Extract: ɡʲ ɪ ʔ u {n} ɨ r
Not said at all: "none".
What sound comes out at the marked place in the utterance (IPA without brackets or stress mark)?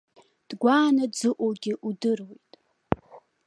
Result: d